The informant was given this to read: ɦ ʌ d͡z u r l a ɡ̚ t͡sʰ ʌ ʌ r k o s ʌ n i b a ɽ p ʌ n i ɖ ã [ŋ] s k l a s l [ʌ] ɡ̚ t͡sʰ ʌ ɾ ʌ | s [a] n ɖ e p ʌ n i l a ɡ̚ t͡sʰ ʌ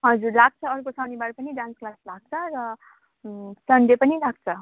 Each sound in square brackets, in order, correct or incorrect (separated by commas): incorrect, incorrect, incorrect